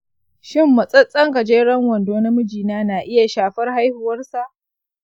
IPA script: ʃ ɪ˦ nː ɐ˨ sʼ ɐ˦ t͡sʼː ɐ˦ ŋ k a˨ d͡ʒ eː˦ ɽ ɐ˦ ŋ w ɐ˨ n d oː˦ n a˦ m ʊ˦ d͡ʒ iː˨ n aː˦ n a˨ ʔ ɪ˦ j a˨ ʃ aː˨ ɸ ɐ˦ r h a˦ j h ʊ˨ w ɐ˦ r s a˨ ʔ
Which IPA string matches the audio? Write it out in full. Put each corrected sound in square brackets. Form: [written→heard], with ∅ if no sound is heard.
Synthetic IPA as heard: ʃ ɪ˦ [nː→mː] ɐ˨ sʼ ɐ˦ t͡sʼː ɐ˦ ŋ k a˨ d͡ʒ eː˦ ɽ ɐ˦ ŋ w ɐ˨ n d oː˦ n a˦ m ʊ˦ d͡ʒ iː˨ n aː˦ n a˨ ʔ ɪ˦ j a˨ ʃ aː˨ ɸ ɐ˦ r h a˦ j h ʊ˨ w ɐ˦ r s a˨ ʔ